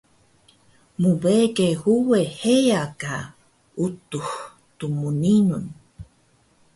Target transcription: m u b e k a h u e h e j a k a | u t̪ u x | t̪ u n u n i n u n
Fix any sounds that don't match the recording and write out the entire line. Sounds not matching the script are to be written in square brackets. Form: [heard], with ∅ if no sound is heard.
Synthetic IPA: m u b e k [e] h u e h e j a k a | u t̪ u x | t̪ u [m] u n i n u n